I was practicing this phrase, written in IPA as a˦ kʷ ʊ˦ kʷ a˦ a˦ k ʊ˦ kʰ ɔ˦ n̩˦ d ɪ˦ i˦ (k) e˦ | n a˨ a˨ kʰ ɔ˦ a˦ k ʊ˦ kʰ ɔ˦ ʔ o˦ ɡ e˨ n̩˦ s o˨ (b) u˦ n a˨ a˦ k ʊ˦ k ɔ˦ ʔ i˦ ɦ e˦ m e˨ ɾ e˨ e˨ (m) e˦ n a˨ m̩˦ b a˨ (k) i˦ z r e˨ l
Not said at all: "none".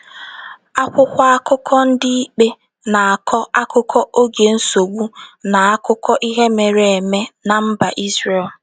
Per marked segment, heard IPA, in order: k͡p, ɡ͡b, m, ʔ

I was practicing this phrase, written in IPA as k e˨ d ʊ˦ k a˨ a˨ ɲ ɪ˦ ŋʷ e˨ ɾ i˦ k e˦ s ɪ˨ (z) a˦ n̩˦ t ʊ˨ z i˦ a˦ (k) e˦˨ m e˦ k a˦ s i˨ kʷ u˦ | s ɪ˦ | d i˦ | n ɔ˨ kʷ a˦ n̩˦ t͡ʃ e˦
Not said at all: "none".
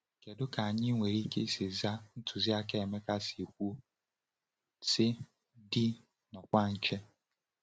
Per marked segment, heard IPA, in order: z, k

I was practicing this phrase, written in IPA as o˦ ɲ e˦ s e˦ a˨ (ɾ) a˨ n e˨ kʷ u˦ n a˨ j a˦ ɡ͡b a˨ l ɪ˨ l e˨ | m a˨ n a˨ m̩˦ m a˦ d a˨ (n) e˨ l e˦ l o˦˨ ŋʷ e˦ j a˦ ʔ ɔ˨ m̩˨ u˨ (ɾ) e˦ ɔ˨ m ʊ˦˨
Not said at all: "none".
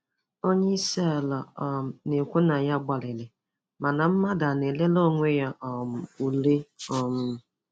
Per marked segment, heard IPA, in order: l, n, l

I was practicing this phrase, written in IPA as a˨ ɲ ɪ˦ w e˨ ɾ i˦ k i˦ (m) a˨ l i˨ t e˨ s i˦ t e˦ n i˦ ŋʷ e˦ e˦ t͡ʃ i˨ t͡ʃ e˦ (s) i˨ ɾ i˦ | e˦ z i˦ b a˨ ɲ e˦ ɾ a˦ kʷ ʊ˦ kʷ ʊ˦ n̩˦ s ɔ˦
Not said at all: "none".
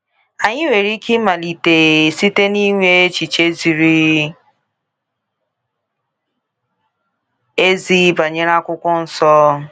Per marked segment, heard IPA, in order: m, z

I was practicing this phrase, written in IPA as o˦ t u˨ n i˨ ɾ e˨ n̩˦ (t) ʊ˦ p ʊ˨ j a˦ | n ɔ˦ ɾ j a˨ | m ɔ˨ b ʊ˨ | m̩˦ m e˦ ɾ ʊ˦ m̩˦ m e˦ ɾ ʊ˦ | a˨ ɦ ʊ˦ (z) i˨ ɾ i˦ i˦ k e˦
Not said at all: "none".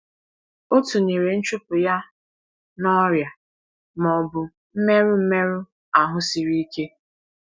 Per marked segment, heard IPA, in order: t͡ʃ, s

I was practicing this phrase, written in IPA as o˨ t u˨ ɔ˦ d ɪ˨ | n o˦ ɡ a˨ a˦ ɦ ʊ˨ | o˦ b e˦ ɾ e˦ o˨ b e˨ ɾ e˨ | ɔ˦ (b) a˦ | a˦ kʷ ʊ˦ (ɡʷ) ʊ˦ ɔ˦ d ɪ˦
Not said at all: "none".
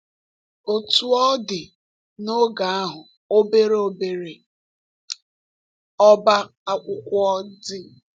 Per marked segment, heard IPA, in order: b, kʷ

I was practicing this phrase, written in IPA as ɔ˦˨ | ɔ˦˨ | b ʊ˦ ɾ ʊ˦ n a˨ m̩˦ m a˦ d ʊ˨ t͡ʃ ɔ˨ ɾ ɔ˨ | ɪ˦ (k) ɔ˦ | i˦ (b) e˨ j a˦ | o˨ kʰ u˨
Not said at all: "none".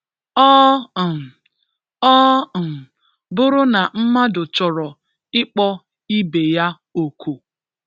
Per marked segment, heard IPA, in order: k͡p, b

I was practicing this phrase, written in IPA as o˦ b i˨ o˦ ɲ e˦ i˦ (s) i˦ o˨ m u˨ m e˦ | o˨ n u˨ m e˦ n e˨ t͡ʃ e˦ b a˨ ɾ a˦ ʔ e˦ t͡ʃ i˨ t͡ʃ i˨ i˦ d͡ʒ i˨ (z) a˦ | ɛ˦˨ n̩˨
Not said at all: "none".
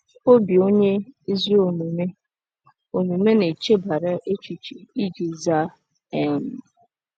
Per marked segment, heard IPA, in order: z, z

